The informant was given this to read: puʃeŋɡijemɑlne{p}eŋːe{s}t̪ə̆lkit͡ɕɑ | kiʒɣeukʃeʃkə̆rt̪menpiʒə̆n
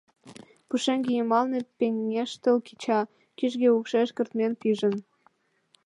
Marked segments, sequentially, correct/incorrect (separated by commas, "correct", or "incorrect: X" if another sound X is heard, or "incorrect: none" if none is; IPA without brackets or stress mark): correct, incorrect: ʃ